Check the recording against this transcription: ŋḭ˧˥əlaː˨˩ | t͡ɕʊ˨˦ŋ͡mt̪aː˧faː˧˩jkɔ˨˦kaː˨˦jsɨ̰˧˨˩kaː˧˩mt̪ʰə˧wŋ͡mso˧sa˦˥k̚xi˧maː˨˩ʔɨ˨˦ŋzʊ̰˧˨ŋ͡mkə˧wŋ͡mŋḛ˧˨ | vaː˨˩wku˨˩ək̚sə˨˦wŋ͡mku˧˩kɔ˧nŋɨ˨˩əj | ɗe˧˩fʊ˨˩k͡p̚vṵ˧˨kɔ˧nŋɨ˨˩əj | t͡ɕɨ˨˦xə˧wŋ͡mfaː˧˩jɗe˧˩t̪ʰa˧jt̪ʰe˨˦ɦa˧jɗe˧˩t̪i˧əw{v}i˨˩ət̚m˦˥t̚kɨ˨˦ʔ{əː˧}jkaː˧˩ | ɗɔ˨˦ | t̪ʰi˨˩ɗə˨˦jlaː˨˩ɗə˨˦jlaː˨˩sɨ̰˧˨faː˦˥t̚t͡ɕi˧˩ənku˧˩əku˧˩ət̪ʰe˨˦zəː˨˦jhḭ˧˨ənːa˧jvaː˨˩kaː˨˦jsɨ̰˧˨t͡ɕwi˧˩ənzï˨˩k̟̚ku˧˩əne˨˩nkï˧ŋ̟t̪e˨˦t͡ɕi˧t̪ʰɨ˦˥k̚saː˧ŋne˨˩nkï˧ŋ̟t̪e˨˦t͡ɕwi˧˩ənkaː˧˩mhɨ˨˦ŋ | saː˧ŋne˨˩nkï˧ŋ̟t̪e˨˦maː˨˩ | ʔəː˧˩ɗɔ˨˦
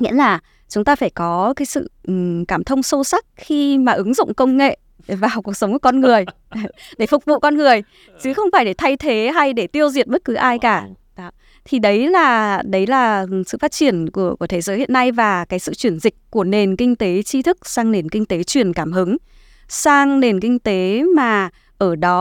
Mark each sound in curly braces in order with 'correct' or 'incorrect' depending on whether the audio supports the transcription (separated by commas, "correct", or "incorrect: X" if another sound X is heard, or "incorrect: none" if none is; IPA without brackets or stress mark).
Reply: incorrect: z, incorrect: aː˧